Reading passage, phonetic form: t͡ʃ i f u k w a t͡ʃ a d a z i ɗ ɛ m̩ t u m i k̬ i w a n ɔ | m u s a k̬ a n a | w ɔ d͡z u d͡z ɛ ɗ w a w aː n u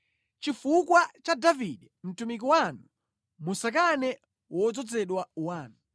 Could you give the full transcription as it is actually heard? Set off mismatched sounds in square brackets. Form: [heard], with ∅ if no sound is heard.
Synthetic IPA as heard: t͡ʃ i f u k w a t͡ʃ a d a [v] i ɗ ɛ m̩ t u m i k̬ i w a n [u] | m u s a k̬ a n [ɛ] | w ɔ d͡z [ɔ] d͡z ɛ ɗ w a w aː n u